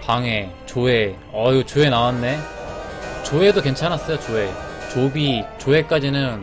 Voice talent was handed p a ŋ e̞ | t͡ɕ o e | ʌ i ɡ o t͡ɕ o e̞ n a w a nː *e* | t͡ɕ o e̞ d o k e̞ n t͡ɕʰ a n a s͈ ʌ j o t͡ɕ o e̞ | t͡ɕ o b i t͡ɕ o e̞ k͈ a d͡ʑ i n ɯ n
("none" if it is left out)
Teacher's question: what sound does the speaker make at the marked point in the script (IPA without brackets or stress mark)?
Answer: e